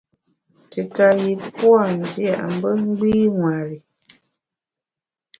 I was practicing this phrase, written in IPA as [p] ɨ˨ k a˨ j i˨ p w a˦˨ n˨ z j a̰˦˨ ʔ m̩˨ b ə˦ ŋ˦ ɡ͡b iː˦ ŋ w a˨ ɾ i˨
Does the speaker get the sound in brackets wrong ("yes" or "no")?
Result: yes